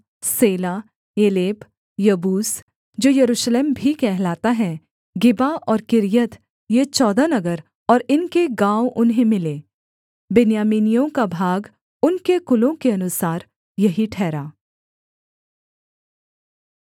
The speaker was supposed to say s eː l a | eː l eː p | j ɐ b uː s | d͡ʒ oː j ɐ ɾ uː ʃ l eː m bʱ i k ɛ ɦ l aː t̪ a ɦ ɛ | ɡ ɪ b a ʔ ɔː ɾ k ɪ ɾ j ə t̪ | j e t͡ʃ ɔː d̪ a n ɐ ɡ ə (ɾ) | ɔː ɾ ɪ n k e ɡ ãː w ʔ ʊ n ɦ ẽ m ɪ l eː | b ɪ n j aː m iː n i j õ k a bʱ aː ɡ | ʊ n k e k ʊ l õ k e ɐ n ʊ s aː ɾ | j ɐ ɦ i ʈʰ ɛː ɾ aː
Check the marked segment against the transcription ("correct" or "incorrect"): correct